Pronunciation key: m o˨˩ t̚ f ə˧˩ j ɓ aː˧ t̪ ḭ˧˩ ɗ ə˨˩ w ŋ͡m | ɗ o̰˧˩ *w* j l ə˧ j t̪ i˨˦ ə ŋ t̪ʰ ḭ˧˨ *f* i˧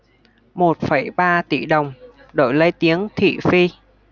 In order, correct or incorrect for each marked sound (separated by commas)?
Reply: incorrect, correct